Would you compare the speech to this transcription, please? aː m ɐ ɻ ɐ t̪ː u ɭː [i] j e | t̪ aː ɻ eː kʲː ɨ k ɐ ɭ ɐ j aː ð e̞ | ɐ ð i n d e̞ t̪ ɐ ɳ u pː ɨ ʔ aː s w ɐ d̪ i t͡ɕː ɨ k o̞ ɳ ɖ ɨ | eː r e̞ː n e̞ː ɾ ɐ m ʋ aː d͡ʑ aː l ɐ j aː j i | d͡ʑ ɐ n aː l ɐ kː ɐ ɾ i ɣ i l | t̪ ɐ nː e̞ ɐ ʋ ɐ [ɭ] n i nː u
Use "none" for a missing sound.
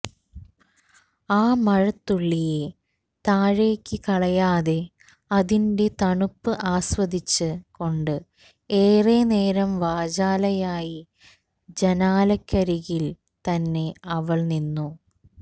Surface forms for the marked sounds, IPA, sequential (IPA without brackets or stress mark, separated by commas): i, ɭ